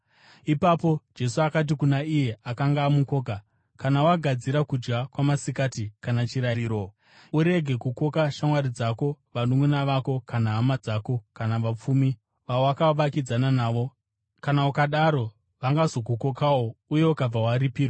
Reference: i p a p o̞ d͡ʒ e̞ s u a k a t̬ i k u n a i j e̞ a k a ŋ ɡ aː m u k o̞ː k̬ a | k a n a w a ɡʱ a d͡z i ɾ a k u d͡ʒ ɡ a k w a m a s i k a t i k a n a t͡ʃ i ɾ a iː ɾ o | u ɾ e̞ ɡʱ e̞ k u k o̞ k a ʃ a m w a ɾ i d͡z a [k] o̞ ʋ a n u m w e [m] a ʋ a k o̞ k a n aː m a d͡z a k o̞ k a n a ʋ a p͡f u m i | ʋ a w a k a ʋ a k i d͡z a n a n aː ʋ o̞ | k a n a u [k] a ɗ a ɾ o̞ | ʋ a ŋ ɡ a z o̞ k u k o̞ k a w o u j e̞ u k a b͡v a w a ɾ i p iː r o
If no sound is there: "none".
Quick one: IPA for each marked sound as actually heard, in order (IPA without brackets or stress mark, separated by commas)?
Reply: k, n, k